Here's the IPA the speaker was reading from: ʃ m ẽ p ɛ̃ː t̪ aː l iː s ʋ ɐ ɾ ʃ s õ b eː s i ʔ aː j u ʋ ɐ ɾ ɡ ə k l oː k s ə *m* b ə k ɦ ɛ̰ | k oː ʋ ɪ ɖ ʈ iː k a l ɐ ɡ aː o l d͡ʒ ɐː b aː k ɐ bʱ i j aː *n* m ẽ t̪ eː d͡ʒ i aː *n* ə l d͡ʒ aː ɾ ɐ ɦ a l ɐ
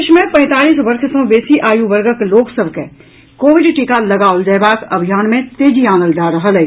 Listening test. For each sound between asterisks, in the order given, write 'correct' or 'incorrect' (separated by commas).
incorrect, correct, correct